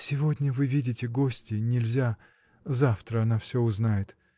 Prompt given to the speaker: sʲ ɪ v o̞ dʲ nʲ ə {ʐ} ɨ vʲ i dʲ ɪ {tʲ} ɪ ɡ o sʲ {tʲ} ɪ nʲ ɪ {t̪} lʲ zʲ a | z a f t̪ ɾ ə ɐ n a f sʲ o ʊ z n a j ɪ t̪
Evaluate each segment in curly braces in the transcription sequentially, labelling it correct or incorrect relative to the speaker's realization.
incorrect: v, correct, correct, incorrect: none

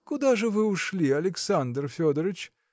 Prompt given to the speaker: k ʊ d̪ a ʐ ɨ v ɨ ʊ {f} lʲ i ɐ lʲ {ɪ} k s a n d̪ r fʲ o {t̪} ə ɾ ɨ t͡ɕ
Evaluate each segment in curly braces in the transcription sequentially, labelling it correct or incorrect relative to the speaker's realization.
incorrect: ʂ, correct, incorrect: d̪

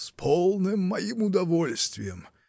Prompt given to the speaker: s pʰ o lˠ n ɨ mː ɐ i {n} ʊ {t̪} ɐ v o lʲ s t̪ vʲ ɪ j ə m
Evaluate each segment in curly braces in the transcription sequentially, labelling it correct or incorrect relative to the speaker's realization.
incorrect: m, incorrect: d̪

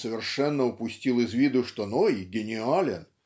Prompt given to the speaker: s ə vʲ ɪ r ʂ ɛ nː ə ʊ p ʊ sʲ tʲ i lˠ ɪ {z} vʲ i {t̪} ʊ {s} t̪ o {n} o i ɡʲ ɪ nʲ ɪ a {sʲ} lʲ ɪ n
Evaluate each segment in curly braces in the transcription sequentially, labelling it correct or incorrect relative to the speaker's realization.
correct, incorrect: d̪, incorrect: ʂ, correct, incorrect: none

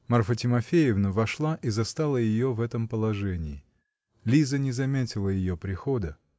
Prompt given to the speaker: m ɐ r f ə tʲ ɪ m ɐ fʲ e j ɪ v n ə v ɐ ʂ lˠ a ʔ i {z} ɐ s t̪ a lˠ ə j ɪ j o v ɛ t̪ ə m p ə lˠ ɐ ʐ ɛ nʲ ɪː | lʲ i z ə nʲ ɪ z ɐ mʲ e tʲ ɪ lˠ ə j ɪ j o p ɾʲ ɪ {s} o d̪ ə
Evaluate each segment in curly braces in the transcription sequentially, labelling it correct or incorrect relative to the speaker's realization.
correct, incorrect: x

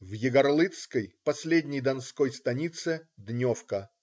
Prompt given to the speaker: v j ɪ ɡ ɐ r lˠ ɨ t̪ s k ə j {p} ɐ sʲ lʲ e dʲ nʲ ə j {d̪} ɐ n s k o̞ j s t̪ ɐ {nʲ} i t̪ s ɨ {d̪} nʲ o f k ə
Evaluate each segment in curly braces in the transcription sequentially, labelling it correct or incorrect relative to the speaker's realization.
correct, correct, correct, correct

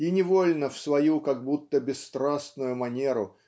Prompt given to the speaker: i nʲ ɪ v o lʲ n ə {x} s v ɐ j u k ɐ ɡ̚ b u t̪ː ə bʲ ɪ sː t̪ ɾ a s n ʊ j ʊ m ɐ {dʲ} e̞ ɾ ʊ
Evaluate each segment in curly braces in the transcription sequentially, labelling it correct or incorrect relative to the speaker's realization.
incorrect: f, incorrect: nʲ

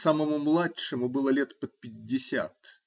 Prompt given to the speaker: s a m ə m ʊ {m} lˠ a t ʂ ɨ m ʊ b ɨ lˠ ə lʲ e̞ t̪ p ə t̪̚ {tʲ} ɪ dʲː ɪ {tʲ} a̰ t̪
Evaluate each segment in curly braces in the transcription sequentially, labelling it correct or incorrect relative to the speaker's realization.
correct, incorrect: pʲ, incorrect: sʲ

